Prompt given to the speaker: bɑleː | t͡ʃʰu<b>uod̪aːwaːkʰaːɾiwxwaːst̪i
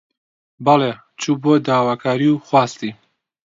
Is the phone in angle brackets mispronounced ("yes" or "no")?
no